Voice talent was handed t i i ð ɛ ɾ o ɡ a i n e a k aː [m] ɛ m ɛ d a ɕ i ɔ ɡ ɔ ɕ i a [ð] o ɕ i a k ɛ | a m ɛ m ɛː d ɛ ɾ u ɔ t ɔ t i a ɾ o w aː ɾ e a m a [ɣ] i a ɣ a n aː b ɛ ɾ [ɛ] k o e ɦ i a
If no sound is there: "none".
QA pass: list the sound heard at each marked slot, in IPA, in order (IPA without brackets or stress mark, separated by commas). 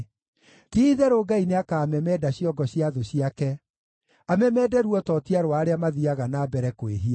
m, ð, ð, ɛ